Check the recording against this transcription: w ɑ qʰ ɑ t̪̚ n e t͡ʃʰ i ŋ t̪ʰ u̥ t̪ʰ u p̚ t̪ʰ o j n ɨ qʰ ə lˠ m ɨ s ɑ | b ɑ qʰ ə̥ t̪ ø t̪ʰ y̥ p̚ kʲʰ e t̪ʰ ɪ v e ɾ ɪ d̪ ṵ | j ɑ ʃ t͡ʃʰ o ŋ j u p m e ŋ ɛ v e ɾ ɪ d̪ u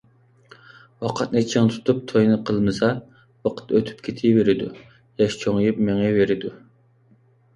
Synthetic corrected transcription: w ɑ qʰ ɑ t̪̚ n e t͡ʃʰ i ŋ t̪ʰ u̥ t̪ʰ u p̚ t̪ʰ o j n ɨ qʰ ə lˠ m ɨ s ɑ | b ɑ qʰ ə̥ t̪ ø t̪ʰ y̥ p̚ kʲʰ e t̪ʰ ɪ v e ɾ ɪ d̪ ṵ | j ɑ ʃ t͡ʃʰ o ŋ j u p m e ŋ ɛ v e ɾ ɪ d̪ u

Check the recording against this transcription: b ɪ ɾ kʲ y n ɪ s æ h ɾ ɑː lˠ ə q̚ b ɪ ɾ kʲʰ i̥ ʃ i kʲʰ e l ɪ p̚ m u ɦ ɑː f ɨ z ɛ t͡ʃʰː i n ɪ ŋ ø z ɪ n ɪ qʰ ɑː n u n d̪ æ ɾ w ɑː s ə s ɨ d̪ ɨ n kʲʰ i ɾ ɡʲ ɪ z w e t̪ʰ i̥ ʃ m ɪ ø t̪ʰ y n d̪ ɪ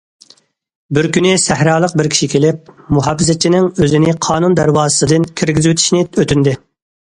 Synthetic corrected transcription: b ɪ ɾ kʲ y n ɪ s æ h ɾ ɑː lˠ ə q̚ b ɪ ɾ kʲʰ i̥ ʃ i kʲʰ e l ɪ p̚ m u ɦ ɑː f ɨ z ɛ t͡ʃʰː i n ɪ ŋ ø z ɪ n ɪ qʰ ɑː n u n d̪ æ ɾ w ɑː z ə s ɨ d̪ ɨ n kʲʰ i ɾ ɡʲ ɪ z w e t̪ʰ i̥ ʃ n ɪ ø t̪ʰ y n d̪ ɪ

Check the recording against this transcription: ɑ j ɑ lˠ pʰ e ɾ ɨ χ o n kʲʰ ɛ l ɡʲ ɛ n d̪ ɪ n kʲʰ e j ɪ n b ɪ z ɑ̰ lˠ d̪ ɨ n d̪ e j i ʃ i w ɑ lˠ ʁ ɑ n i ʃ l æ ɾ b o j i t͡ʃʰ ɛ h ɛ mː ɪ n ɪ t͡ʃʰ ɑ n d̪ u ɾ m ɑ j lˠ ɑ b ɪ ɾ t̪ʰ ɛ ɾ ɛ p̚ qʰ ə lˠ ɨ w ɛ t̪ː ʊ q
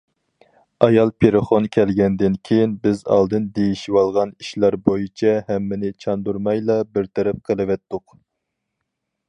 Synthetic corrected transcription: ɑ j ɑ lˠ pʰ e ɾ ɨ χ o n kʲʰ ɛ l ɡʲ ɛ n d̪ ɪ n kʲʰ e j i n b ɪ z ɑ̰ lˠ d̪ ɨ n d̪ e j i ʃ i w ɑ lˠ ʁ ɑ n i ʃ l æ ɾ b o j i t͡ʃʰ ɛ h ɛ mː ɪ n ɪ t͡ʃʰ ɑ n d̪ u ɾ m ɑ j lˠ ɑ b ɪ ɾ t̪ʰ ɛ ɾ ɛ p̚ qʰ ə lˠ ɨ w ɛ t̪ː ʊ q

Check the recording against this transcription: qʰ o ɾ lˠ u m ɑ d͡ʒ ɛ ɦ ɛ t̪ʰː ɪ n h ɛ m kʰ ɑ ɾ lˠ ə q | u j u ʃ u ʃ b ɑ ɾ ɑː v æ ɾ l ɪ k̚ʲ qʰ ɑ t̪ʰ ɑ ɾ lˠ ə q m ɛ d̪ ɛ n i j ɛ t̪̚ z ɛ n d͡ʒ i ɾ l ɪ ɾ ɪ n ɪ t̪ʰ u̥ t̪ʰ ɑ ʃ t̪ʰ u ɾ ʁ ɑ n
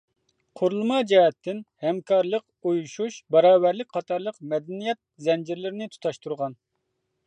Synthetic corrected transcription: qʰ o ɾ lˠ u m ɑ d͡ʒ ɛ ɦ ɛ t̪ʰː ɪ n h ɛ m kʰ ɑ ɾ lˠ ə q | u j u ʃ u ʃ b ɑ ɾ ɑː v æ ɾ l ɪ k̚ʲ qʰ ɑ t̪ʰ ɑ ɾ lˠ ə q m ɛ d̪ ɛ n i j ɛ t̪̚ z ɛ n d͡ʒ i ɾ l ɪ ɾ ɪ n ɪ t̪ʰ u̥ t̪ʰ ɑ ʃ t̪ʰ u ɾ ʁ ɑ n

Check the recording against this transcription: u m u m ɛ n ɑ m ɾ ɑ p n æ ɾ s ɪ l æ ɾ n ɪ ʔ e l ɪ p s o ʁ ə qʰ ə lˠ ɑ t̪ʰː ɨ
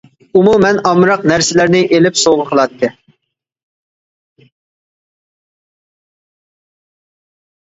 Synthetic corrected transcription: u m u m ɛ n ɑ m ɾ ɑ q n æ ɾ s ɪ l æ ɾ n ɪ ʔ e l ɪ p s o ʁ ə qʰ ə lˠ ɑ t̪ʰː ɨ

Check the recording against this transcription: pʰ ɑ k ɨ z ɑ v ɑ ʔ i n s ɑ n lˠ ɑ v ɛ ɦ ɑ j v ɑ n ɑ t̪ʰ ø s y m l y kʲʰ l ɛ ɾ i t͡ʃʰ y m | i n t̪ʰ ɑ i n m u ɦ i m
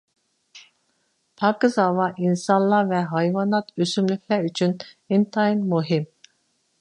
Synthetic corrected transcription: pʰ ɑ k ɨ z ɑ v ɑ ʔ i n s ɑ n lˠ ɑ v ɛ ɦ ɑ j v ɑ n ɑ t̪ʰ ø s y m l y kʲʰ l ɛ ɾ y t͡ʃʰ y n | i n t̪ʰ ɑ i n m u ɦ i m

